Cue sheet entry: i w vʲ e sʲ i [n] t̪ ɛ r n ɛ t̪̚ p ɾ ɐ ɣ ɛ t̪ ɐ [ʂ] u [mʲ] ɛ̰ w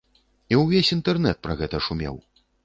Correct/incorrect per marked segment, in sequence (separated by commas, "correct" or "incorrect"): correct, correct, correct